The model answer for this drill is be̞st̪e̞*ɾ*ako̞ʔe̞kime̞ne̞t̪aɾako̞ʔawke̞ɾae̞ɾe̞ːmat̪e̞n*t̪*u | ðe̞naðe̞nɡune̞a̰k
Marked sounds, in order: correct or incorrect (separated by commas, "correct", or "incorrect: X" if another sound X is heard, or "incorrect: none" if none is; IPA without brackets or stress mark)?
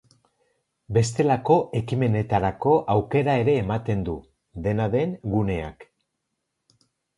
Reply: incorrect: l, incorrect: d̪